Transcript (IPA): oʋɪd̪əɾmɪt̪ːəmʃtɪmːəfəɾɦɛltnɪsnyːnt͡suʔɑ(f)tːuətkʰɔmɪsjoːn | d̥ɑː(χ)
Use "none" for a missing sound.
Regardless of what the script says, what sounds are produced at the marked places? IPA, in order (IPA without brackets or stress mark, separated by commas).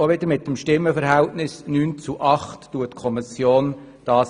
χ, s